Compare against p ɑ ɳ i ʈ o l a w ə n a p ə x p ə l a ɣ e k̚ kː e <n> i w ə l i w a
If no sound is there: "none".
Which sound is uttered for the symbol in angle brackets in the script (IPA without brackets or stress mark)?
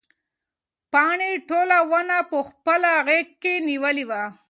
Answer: n